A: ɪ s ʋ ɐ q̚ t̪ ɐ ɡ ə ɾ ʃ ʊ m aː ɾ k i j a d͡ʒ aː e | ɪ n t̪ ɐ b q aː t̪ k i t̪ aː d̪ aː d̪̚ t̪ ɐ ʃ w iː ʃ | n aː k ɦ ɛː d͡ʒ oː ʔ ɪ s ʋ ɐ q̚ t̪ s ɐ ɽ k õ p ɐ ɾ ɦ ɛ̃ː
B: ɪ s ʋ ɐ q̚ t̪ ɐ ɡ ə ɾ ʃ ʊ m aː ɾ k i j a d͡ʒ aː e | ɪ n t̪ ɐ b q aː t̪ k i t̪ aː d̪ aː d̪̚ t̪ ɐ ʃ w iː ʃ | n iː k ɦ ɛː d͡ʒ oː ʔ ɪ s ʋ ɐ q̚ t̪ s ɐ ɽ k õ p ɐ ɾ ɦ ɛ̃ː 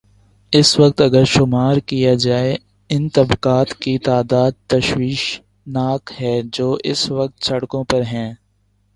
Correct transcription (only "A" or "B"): A